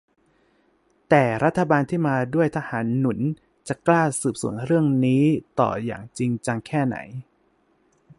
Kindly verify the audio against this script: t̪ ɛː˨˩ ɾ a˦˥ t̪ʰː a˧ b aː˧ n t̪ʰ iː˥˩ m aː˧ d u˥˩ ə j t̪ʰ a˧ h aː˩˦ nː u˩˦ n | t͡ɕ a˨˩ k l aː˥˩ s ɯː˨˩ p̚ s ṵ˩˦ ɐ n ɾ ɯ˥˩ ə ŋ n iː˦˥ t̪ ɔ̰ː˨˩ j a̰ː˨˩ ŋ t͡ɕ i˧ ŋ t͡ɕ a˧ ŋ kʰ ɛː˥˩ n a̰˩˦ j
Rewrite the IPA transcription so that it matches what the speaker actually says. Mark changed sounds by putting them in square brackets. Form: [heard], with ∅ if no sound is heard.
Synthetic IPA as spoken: t̪ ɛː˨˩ ɾ a˦˥ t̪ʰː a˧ b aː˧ n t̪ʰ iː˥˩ m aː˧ d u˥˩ ə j t̪ʰ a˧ h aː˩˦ nː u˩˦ n | t͡ɕ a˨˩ k l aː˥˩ s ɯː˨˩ p̚ s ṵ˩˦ [ə] n ɾ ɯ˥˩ ə ŋ n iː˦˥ t̪ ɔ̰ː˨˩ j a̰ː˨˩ ŋ t͡ɕ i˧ ŋ t͡ɕ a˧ ŋ kʰ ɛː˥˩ n a̰˩˦ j